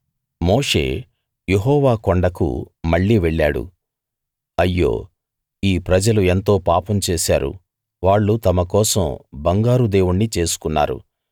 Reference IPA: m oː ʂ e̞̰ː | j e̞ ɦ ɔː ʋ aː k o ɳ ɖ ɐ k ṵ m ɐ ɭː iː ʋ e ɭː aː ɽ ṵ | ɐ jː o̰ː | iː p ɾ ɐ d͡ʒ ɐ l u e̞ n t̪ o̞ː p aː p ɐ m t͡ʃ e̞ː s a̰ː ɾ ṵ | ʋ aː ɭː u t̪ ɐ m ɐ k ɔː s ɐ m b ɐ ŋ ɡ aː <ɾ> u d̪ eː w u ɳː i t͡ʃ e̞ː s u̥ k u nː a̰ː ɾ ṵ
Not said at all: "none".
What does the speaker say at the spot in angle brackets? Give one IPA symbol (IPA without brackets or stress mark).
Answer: ɾ